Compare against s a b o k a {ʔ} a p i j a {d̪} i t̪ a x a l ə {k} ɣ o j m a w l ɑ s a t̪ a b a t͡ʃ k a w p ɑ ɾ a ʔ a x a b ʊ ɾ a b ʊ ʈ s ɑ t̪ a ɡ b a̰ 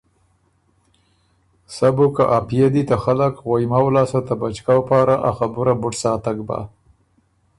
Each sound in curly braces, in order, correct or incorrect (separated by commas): correct, correct, correct